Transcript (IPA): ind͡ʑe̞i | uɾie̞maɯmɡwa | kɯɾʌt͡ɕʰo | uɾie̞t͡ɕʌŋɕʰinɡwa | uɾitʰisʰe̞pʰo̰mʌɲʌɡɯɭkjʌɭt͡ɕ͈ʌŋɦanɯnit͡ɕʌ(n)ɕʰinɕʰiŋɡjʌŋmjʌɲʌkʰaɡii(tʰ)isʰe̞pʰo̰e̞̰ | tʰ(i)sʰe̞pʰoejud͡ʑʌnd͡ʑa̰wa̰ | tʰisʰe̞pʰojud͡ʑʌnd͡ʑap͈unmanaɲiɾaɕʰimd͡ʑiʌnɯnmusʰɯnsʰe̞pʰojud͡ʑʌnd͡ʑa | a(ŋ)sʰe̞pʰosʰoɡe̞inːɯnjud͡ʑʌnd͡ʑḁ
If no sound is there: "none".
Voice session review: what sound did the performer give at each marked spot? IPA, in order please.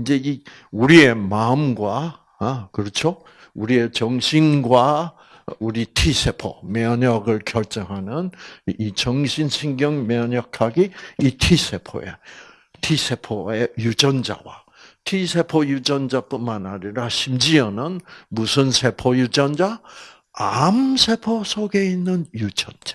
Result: ŋ, tʰ, i, m

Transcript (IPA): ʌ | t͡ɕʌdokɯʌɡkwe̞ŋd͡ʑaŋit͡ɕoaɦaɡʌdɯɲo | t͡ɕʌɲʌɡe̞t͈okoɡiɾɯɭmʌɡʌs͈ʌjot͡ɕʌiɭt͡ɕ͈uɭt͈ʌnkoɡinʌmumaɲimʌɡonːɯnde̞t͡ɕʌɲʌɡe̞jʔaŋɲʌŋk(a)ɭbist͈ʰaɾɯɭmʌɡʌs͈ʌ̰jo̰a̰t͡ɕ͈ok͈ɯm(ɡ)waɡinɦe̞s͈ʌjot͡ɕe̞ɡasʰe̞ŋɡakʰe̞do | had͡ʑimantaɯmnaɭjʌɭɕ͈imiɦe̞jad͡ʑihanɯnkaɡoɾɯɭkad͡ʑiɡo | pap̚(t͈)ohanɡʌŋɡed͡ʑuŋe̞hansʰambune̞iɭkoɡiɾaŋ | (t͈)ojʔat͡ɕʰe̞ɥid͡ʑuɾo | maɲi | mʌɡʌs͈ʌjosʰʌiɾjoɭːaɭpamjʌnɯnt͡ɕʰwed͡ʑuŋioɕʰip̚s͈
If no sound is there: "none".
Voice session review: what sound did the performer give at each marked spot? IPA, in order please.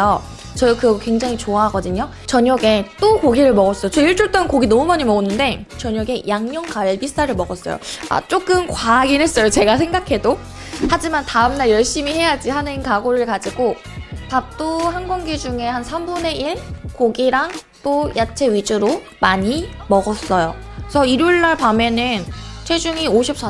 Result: a, k, t͈, t͈

